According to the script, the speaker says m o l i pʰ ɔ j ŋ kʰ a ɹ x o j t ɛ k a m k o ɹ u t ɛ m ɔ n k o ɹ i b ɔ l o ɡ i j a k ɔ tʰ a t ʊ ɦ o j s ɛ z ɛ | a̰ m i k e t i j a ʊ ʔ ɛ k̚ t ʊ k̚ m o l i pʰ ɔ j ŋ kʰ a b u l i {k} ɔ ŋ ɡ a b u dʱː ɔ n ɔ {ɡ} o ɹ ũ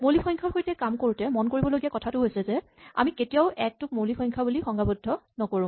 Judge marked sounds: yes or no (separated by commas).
no, no